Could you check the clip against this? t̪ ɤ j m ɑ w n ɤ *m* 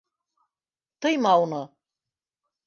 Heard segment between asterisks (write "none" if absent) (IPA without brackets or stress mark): none